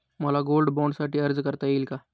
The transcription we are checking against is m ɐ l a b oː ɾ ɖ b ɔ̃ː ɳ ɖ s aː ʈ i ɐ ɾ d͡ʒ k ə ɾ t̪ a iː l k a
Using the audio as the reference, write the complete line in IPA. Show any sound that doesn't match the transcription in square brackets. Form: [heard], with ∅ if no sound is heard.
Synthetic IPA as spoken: m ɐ l a [ɡ] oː [l] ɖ b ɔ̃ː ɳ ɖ s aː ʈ i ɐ ɾ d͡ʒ k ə ɾ t̪ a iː l k a